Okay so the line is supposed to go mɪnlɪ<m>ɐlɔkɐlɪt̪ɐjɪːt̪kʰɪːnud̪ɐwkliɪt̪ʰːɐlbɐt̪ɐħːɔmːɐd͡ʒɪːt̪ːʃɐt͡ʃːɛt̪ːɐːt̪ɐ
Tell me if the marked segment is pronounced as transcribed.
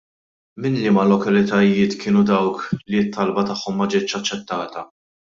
yes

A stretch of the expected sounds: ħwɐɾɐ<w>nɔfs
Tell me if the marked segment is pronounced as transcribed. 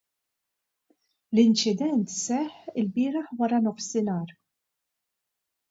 no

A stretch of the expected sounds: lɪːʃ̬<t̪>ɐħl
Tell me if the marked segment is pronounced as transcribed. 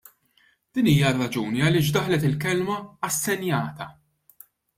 no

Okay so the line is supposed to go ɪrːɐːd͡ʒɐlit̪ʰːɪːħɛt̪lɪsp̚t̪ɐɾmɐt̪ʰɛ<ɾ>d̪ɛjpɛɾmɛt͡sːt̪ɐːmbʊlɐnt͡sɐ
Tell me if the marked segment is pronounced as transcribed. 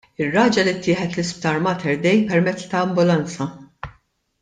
yes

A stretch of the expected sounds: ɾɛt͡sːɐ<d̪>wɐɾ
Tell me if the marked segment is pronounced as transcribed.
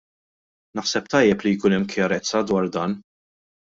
yes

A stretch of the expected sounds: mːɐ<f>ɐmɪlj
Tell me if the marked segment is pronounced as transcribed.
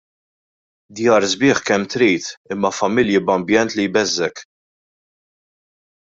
yes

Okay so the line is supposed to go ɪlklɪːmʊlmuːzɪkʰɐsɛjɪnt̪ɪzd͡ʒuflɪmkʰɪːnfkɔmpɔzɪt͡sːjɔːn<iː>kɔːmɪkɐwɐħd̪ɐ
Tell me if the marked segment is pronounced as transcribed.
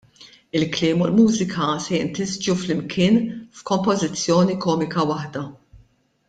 no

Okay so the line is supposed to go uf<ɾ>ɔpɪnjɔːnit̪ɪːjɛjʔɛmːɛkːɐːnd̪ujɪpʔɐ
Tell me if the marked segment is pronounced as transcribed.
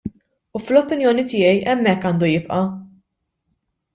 no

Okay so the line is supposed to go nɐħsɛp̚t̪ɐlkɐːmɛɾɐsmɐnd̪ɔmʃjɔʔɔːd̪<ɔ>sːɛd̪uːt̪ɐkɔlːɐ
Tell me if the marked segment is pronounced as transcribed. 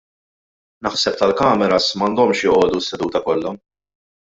no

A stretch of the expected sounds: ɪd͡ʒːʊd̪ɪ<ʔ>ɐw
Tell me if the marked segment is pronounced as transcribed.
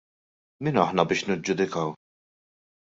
no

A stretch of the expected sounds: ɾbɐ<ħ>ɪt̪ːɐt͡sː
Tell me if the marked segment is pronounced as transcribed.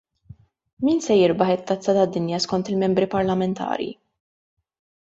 yes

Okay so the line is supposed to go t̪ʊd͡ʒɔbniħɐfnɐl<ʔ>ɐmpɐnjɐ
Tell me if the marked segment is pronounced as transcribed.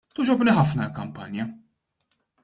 no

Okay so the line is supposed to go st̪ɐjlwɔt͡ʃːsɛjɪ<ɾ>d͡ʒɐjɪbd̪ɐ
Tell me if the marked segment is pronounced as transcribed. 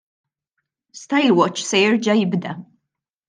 yes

